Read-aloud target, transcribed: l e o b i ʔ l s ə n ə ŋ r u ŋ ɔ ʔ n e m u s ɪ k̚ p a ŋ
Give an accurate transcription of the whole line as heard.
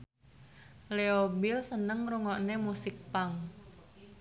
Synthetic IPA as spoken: l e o b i l s ə n ə ŋ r u ŋ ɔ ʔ n e m u s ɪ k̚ p a ŋ